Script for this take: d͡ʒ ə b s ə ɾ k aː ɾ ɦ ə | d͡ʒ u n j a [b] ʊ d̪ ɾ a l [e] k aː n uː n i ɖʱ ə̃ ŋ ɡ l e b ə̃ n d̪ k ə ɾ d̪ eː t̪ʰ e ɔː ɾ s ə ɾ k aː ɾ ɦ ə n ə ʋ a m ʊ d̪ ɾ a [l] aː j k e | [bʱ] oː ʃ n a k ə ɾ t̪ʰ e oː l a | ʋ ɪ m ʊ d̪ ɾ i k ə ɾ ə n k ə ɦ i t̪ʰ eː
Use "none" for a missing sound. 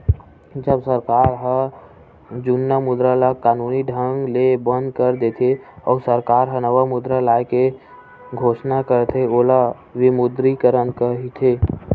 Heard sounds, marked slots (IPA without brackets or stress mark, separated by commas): m, a, l, ɡʱ